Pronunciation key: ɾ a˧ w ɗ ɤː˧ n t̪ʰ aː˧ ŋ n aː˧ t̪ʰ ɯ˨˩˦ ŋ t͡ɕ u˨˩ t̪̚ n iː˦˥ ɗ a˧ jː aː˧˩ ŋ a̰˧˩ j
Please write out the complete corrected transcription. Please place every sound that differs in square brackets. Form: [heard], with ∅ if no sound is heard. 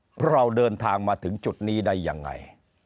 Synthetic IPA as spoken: ɾ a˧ w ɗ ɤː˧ n t̪ʰ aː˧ ŋ [m] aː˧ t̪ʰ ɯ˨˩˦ ŋ t͡ɕ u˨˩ t̪̚ n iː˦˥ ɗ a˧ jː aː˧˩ [ŋː] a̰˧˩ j